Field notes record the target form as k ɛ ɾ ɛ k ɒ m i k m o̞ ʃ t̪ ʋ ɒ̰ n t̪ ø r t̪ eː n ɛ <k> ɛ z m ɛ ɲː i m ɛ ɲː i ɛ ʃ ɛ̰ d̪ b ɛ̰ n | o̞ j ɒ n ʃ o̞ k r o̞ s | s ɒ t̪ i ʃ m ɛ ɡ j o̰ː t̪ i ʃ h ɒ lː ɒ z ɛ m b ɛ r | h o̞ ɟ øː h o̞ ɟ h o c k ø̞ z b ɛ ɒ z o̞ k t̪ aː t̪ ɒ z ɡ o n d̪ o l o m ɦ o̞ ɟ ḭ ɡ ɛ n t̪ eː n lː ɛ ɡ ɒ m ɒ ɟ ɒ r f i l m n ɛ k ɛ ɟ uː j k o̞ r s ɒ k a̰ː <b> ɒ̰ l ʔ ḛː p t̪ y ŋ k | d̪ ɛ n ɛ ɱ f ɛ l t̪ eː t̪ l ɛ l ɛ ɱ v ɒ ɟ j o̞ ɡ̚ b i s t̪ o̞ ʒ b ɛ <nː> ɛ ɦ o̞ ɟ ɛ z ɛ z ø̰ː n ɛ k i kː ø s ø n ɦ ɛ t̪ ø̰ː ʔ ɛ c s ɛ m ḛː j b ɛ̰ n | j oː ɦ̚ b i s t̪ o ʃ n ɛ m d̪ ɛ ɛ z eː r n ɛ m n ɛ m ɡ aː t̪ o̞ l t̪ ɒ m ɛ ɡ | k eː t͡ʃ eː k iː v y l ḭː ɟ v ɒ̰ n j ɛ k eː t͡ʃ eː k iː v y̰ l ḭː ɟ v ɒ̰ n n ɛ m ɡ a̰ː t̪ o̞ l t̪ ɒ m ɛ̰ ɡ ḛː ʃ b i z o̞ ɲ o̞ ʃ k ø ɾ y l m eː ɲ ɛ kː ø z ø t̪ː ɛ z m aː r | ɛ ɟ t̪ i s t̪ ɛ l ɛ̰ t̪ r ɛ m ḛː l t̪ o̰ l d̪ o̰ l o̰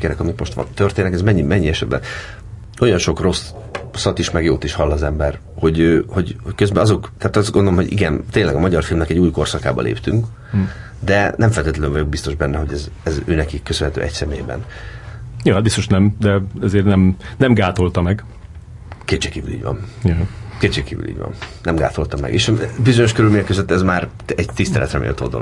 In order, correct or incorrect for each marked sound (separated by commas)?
correct, correct, correct